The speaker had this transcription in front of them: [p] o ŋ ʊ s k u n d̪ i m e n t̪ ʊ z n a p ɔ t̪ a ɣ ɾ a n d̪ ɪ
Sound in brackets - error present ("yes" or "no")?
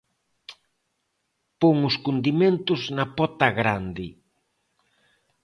no